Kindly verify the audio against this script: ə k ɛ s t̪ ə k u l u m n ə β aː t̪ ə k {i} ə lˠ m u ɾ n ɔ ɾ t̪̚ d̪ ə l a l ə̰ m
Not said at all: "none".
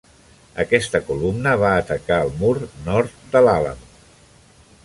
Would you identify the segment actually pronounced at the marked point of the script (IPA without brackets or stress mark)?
a